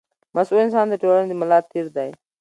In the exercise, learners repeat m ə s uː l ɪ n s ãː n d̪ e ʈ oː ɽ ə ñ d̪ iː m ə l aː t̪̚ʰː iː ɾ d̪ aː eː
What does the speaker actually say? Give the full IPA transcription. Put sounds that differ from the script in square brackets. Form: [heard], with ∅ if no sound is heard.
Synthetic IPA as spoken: m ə s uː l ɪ n s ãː n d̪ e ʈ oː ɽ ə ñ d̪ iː m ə l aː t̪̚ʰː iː ɾ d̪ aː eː